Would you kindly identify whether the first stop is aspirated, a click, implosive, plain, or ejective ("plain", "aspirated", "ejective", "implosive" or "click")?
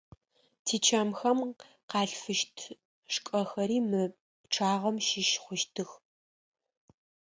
aspirated